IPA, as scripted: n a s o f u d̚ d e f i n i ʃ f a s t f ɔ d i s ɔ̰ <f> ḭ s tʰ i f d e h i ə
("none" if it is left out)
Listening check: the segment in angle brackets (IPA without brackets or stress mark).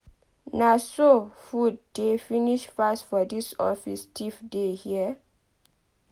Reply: f